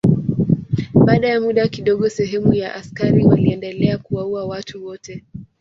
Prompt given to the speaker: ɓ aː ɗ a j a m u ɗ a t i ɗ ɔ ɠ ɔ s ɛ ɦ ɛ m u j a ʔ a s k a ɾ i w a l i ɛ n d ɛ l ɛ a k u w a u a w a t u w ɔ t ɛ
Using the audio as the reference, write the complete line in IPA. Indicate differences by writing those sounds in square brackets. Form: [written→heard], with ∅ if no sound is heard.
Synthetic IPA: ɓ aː ɗ a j a m u ɗ a [t→k] i ɗ ɔ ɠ ɔ s ɛ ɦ ɛ m u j a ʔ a s k a ɾ i w a l i ɛ n d ɛ l ɛ a k u w a u a w a t u w ɔ t ɛ